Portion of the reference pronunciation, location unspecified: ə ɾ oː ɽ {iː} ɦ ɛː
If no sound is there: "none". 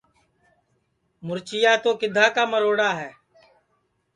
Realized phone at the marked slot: aː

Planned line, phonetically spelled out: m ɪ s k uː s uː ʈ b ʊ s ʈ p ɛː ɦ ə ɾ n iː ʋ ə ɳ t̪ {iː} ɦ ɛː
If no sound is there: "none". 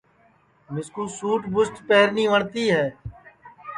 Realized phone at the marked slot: iː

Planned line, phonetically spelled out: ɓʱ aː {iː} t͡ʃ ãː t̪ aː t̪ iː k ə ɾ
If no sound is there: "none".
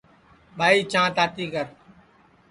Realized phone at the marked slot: iː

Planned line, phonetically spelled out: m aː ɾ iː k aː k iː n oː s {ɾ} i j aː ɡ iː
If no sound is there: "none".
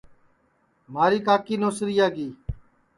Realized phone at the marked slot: ɾ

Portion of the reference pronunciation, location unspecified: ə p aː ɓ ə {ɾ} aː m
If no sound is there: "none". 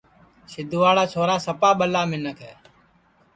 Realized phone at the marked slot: l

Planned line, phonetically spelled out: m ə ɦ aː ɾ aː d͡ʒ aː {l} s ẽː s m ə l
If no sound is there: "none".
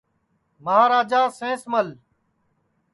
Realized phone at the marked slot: none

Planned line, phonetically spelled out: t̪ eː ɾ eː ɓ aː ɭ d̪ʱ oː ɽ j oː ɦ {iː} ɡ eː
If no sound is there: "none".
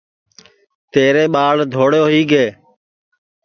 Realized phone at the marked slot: iː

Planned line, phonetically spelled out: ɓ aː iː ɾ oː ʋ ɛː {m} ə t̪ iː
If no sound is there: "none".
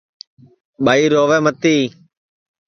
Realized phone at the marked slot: m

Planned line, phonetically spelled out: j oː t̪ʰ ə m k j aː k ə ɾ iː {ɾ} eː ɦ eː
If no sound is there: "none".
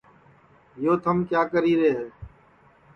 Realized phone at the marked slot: ɾ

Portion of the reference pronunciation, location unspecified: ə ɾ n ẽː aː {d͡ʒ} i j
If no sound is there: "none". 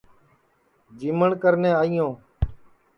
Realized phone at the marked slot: none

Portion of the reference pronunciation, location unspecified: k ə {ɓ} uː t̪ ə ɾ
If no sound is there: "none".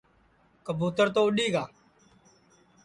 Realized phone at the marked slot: b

